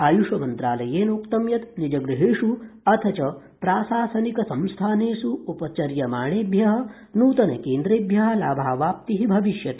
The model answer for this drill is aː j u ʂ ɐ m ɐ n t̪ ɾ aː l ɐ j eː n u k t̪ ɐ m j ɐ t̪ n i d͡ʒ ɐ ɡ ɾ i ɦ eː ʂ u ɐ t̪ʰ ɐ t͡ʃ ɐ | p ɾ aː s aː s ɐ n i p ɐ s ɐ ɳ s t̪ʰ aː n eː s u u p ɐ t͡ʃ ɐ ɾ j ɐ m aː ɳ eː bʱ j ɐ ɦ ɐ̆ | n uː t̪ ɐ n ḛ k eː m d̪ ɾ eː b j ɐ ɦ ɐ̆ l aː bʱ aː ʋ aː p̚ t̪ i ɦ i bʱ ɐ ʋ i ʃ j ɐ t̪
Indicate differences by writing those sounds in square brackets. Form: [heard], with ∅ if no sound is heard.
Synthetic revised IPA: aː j u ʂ ɐ m ɐ n t̪ ɾ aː l ɐ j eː n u k t̪ ɐ m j ɐ t̪ n i d͡ʒ ɐ ɡ ɾ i ɦ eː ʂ u ɐ t̪ʰ ɐ t͡ʃ ɐ | p ɾ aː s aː s ɐ n i [k] ɐ s ɐ [m] s t̪ʰ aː n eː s u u p ɐ t͡ʃ ɐ ɾ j ɐ m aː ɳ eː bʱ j ɐ ɦ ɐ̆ | n uː t̪ ɐ n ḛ k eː [n] d̪ ɾ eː b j ɐ ɦ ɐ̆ l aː bʱ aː ʋ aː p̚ t̪ i ɦ i bʱ ɐ ʋ i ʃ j ɐ t̪